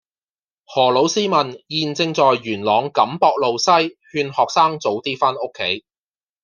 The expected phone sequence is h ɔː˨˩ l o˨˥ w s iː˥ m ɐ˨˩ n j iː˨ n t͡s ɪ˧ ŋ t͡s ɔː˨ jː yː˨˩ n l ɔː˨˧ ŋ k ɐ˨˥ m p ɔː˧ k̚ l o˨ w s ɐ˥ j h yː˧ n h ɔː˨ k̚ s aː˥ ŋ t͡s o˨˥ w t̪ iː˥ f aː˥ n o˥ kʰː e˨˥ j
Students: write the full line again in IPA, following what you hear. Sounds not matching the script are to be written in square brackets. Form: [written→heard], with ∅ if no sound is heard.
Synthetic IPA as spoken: h ɔː˨˩ l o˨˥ w s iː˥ m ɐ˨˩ n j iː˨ n t͡s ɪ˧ ŋ t͡s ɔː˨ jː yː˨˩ n l ɔː˨˧ ŋ k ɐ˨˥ m p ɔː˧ k̚ l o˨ w s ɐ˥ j h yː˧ n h ɔː˨ k̚ s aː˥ ŋ t͡s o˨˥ w t̪ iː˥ f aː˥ n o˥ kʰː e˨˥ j